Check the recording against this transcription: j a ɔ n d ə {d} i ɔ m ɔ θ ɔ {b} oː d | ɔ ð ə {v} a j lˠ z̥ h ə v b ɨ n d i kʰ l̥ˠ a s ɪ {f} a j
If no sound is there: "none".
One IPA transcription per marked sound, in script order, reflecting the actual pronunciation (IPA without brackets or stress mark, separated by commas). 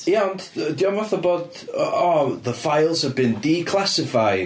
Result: d, b, f, f